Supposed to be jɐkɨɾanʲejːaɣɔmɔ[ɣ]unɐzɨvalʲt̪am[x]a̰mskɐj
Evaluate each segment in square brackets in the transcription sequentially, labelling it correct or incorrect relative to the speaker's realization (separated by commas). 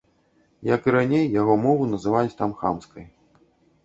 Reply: incorrect, correct